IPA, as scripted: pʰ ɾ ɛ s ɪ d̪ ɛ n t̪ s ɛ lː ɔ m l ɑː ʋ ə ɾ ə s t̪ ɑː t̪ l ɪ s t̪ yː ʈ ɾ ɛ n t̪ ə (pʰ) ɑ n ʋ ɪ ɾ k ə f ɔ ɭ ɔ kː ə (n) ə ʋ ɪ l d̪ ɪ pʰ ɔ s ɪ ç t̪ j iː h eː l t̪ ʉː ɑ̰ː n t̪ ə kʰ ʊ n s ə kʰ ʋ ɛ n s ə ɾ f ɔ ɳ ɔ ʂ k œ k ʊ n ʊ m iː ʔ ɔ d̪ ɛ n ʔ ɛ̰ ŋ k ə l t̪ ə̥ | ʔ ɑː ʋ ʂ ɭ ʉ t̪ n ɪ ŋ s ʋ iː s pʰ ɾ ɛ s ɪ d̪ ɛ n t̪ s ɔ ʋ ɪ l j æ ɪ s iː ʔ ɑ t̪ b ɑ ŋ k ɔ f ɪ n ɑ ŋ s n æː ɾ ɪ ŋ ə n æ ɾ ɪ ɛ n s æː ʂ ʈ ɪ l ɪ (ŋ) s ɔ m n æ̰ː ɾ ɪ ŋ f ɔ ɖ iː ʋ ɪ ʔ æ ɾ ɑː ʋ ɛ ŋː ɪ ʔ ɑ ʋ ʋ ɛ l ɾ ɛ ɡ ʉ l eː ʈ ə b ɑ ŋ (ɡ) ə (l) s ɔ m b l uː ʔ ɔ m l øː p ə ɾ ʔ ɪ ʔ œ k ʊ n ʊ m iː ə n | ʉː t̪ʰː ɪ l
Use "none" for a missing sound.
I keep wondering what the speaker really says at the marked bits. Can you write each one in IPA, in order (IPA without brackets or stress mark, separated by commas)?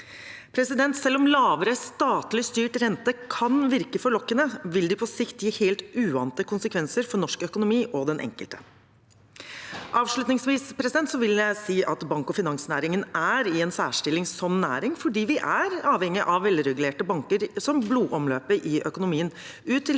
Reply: kʰ, n, ŋ, k, ɾ